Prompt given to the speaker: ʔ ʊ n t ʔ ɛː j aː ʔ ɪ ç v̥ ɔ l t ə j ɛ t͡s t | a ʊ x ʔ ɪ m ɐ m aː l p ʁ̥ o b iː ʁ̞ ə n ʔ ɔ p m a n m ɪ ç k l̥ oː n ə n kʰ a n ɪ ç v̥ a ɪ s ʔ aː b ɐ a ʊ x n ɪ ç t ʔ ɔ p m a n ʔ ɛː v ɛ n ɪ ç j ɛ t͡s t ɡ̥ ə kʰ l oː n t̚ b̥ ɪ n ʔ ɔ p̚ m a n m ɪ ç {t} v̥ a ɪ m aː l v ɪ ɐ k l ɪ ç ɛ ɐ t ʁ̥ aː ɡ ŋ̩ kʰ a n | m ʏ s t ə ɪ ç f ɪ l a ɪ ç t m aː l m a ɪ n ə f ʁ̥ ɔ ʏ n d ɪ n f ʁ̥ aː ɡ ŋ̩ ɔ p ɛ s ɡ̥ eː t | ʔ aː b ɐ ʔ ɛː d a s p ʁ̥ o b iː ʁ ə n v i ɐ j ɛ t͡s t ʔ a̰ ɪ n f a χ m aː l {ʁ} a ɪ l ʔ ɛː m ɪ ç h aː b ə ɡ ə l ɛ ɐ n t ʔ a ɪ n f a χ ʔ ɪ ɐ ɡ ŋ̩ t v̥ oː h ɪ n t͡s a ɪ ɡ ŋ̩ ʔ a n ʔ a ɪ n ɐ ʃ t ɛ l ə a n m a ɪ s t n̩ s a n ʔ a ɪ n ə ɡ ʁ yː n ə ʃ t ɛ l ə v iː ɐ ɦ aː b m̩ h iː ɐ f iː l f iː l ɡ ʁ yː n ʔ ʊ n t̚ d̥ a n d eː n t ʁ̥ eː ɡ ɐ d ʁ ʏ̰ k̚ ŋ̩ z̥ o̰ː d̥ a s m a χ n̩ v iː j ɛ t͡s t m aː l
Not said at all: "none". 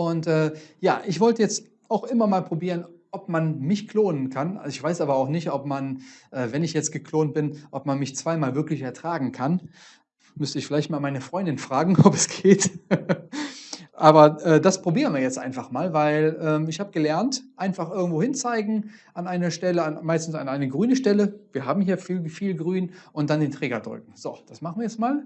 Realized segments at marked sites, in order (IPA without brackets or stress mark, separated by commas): t͡s, v